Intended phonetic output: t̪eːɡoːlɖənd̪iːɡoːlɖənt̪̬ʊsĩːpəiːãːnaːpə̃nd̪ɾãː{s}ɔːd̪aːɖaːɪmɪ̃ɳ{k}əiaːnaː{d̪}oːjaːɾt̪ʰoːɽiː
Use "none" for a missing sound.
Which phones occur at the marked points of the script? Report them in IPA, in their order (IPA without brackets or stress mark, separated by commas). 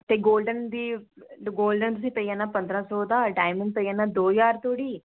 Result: s, p, d̪